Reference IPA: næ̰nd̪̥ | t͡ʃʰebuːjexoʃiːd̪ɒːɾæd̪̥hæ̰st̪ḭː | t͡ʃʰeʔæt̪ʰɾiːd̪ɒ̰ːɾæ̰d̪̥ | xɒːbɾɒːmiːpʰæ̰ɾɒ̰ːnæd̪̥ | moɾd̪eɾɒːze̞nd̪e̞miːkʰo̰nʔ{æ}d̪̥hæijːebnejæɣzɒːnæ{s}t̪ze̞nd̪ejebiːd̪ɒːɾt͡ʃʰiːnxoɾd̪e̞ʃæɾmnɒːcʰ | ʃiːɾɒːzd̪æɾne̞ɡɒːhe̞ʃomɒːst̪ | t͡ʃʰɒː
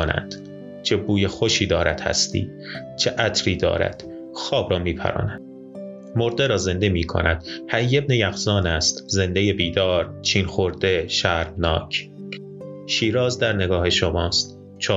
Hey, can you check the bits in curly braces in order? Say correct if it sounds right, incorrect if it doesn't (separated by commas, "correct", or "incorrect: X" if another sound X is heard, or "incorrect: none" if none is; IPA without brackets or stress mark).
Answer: correct, correct